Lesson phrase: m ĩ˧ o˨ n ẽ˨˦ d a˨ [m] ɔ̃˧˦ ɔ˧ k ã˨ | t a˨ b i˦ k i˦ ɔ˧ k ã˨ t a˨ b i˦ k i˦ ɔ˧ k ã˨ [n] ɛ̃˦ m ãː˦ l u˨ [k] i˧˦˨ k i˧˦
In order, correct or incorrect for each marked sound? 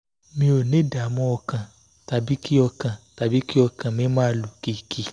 correct, incorrect: m, correct

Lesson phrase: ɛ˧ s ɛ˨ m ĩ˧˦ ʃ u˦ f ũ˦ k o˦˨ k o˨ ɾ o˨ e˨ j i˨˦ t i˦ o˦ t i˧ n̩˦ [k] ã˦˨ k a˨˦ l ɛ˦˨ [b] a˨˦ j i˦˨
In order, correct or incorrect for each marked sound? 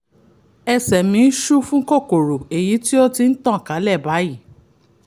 incorrect: t, correct

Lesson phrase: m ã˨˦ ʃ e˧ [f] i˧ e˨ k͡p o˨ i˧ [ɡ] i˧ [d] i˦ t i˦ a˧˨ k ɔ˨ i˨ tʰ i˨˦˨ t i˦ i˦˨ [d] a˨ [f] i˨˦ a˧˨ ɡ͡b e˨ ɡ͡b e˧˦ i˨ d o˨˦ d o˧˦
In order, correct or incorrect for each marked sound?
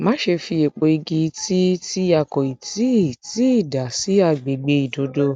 correct, correct, incorrect: t, correct, incorrect: s

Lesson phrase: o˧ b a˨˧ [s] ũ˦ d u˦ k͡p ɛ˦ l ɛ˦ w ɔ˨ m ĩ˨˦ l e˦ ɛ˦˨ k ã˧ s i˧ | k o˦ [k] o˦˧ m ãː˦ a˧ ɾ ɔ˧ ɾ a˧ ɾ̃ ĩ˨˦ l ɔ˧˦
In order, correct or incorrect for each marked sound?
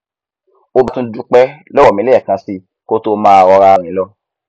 incorrect: t, incorrect: t

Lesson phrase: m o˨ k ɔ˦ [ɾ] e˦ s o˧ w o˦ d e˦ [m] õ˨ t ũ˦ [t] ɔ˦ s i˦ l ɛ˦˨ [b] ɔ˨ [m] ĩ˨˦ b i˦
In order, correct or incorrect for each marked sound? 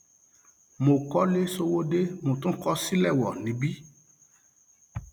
incorrect: l, correct, incorrect: k, incorrect: w, incorrect: n

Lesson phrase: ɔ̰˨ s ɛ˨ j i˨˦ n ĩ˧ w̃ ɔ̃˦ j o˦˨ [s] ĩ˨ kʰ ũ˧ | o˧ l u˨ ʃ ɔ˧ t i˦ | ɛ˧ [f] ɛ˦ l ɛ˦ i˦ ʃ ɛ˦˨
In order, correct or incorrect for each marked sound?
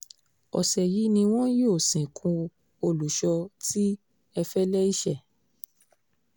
correct, correct

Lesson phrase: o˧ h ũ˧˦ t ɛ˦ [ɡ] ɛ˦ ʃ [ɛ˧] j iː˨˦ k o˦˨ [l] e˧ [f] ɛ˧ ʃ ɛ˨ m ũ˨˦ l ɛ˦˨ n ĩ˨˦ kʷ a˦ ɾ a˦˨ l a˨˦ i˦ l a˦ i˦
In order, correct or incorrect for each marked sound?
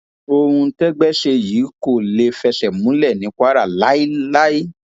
incorrect: ɡ͡b, incorrect: e˧, correct, correct

